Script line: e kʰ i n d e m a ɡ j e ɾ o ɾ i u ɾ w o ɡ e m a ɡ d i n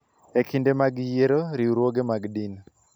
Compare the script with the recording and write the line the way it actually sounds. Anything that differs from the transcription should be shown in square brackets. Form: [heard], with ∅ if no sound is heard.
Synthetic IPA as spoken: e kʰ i n d e m a ɡ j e ɾ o ɾ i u ɾ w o ɡ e m a ɡ d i n